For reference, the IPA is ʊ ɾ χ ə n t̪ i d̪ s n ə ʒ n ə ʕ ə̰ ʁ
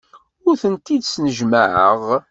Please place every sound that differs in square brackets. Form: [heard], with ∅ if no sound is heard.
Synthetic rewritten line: ʊ ɾ [θ] ə n t̪ i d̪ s n ə ʒ [m] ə ʕ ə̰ ʁ